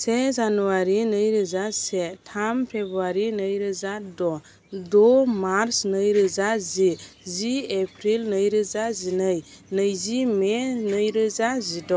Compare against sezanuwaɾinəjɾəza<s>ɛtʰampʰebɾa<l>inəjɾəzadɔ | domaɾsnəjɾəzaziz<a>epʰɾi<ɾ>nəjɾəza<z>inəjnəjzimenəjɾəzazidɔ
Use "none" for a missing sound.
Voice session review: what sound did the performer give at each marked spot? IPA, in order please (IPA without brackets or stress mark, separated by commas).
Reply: s, ɾ, i, l, z